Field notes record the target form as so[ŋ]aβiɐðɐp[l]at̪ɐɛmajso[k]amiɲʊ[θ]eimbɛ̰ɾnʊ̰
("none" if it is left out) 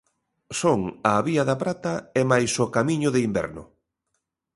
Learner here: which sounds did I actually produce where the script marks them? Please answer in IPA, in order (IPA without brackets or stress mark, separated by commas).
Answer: ŋ, ɾ, k, ð